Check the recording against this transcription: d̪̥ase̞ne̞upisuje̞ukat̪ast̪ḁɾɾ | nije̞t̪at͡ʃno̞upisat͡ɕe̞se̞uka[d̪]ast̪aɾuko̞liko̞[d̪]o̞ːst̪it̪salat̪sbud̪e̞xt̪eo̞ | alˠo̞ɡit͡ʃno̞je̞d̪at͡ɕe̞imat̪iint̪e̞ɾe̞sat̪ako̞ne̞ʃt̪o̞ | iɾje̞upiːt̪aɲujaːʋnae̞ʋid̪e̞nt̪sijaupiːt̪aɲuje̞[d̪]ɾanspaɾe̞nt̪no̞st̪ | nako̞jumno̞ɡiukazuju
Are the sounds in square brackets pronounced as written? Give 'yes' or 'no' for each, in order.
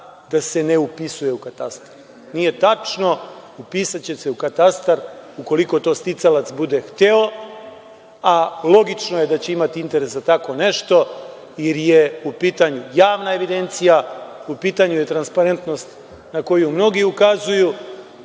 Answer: no, no, no

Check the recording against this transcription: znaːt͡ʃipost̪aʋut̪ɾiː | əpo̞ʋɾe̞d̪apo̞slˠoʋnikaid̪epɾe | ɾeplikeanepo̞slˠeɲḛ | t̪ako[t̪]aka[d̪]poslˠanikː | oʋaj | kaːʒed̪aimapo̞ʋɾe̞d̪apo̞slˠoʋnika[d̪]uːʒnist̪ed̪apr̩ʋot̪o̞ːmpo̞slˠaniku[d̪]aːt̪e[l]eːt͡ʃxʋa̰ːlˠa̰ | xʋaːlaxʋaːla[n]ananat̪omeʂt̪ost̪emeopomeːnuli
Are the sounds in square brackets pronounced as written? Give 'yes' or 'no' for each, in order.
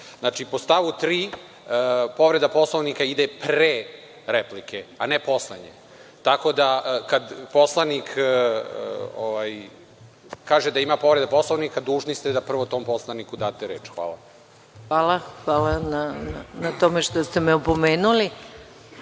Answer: no, yes, yes, yes, no, yes

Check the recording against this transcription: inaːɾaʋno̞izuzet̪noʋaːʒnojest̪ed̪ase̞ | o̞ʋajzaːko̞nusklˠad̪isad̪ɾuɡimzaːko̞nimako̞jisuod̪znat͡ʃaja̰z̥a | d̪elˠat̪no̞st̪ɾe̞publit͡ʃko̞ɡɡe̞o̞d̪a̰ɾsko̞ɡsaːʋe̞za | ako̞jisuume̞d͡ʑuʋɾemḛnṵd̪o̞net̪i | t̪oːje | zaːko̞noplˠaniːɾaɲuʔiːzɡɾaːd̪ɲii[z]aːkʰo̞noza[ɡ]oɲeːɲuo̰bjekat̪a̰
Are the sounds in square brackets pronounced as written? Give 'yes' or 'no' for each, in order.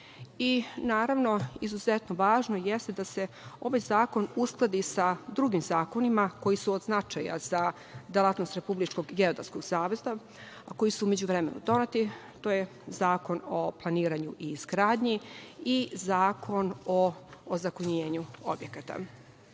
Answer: yes, no

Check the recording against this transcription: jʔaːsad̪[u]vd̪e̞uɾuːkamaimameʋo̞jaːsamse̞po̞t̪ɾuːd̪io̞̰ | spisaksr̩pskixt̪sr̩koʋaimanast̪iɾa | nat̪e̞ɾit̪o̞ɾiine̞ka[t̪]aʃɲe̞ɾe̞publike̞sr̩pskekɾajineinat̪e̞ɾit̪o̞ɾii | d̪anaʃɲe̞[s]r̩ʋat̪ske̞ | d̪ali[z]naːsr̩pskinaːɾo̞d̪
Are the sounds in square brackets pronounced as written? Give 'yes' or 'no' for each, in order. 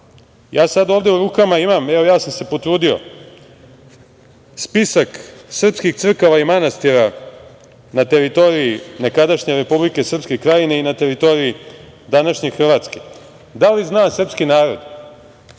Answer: no, no, no, yes

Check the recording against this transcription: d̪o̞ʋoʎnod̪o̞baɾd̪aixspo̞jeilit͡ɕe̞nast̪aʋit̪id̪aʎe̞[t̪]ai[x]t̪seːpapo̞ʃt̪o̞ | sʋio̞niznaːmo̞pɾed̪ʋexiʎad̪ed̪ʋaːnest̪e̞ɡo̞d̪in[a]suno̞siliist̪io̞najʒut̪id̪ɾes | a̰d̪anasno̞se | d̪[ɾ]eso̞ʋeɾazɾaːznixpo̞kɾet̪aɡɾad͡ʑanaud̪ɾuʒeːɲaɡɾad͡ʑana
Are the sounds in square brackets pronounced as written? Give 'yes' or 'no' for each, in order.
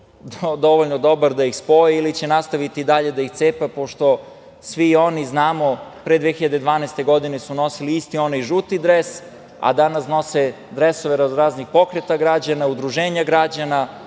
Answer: no, yes, no, yes

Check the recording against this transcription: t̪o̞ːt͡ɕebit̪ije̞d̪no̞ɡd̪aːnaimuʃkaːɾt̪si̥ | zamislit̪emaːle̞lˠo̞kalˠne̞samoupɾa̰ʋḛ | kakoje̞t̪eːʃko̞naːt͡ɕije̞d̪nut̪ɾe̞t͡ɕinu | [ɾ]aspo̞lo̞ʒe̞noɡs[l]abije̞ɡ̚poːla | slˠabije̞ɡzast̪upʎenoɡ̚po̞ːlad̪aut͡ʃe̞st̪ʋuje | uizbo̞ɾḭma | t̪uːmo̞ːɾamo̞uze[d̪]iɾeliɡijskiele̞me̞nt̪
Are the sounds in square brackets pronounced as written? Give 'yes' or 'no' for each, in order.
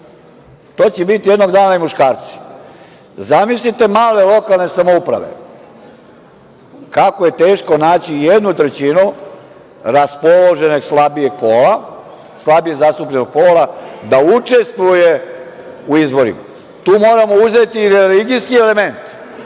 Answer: yes, yes, no

